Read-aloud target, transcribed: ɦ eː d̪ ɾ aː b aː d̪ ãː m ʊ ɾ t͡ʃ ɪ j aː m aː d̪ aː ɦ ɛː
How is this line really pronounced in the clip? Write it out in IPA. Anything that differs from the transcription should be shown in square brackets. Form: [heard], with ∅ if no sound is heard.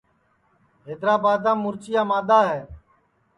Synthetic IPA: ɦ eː d̪ ɾ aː b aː d̪ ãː m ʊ ɾ t͡ʃ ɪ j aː m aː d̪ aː ɦ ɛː

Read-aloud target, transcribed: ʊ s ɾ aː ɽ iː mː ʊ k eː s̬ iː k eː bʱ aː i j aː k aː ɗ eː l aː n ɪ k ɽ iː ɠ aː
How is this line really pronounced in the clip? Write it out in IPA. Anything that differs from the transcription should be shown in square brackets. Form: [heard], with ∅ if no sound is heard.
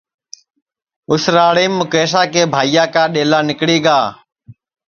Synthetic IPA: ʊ s ɾ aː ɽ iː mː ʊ k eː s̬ [aː] k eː bʱ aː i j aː k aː ɗ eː l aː n ɪ k ɽ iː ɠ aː

